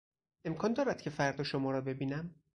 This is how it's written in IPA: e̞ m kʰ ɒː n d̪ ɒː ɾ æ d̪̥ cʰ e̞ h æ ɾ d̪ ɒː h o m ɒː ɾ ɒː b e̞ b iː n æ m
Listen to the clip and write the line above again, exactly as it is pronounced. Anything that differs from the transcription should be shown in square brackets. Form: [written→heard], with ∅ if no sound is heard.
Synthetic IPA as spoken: e̞ m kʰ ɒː n d̪ ɒː ɾ æ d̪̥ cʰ e̞ [h→f] æ ɾ d̪ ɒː [h→ʃ] o m ɒː ɾ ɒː b e̞ b iː n æ m